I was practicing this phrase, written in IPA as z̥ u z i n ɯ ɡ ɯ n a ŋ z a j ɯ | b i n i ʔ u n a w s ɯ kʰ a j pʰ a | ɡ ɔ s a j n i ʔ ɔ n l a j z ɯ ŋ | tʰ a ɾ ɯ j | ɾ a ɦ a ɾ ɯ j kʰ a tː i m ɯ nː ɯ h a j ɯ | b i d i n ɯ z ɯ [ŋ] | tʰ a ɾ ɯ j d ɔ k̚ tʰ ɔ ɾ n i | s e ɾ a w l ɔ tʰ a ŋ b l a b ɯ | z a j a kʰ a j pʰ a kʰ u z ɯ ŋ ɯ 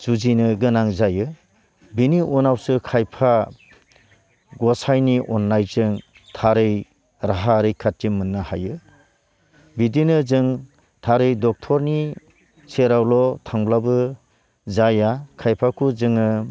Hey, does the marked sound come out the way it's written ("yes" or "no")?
yes